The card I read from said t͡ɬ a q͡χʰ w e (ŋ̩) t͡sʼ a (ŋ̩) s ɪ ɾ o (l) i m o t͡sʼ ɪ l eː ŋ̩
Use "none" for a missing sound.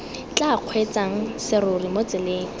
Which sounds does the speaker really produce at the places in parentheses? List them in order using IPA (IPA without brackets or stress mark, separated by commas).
none, ŋ̩, r